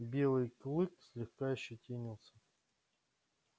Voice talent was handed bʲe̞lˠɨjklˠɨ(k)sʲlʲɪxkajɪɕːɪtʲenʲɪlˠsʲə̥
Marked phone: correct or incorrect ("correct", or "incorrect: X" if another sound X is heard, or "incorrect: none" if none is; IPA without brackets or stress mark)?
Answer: correct